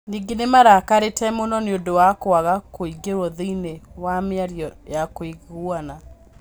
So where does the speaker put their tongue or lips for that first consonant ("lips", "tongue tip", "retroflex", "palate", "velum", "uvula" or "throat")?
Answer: tongue tip